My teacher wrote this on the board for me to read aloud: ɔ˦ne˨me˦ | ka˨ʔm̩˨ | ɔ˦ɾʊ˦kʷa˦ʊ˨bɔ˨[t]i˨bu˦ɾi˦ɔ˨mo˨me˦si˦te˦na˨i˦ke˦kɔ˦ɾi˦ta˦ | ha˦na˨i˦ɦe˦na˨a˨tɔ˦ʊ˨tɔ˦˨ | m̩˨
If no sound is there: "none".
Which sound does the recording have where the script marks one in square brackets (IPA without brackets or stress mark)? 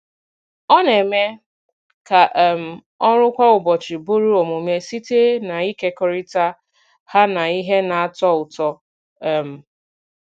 t͡ʃ